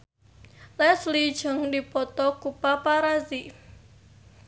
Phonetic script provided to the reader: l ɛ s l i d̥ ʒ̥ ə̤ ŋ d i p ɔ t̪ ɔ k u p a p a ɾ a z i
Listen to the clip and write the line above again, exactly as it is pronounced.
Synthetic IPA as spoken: l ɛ s l i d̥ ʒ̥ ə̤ ŋ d i p ɔ t̪ ɔ k u p a p a ɾ a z i